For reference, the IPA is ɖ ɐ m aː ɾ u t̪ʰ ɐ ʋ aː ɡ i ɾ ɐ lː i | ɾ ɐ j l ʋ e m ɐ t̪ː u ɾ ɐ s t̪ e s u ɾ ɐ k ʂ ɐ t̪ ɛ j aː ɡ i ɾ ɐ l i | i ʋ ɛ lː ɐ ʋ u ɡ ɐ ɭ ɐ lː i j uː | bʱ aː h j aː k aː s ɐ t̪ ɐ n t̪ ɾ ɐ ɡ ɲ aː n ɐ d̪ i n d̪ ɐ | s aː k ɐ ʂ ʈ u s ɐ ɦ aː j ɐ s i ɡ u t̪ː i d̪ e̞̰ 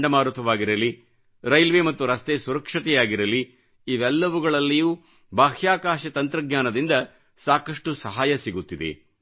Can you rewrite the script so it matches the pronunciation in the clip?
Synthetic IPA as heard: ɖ ɐ m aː ɾ u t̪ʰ ɐ ʋ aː ɡ i ɾ ɐ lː i | ɾ ɐ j l ʋ e m ɐ t̪ː u ɾ ɐ s t̪ e s u ɾ ɐ k ʂ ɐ t̪ ɛ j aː ɡ i ɾ ɐ l i | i ʋ ɛ lː ɐ ʋ u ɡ ɐ ɭ ɐ lː i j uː | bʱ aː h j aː k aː ʃ ɐ t̪ ɐ n t̪ ɾ ɐ ɡ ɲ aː n ɐ d̪ i n d̪ ɐ | s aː k ɐ ʂ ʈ u s ɐ ɦ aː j ɐ s i ɡ u t̪ː i d̪ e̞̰